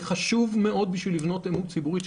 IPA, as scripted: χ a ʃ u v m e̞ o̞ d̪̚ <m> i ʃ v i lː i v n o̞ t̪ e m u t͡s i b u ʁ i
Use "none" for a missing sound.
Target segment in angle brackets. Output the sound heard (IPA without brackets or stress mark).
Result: b